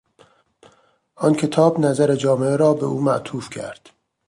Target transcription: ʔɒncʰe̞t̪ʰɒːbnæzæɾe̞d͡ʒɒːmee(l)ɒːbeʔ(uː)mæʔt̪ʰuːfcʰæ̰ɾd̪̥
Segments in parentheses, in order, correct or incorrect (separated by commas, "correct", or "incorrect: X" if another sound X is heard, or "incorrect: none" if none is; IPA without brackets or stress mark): incorrect: ɾ, correct